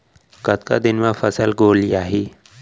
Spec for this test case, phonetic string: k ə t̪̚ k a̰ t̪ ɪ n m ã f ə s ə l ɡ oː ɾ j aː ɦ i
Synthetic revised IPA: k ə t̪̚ k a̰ d̪ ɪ n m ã f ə s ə l ɡ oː l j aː ɦ i